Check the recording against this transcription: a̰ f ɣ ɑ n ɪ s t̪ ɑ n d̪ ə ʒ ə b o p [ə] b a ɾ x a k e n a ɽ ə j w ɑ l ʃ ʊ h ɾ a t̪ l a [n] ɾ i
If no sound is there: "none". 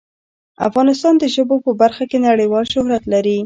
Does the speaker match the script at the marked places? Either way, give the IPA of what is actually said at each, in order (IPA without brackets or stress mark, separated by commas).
ə, none